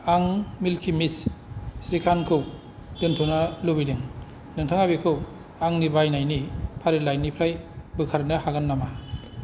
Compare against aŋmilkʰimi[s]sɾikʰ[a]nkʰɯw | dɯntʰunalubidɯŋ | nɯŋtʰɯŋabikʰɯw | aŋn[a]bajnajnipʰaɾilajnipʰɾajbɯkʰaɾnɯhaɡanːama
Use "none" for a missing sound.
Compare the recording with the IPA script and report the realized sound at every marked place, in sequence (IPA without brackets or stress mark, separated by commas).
s, a, i